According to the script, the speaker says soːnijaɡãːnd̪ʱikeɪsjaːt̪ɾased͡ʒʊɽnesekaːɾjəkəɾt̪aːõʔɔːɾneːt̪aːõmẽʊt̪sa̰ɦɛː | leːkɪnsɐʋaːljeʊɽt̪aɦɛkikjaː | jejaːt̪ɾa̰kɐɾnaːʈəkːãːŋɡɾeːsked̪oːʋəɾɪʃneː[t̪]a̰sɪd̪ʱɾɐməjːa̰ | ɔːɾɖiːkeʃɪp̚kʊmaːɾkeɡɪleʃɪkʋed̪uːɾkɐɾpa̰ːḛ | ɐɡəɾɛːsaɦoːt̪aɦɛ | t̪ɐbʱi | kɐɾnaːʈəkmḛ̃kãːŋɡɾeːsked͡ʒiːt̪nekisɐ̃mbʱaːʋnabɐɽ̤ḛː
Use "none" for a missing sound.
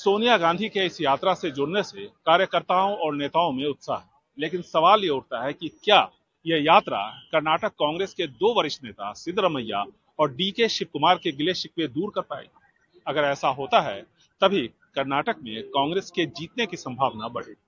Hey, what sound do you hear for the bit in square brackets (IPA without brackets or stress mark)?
t̪